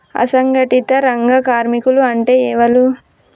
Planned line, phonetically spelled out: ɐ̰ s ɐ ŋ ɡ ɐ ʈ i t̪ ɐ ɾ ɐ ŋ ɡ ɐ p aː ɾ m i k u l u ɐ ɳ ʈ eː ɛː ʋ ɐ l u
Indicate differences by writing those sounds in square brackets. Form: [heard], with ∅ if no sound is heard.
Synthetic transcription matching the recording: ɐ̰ s ɐ ŋ ɡ ɐ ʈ i t̪ ɐ ɾ ɐ ŋ ɡ ɐ [k] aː ɾ m i k u l u ɐ ɳ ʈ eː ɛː ʋ ɐ l u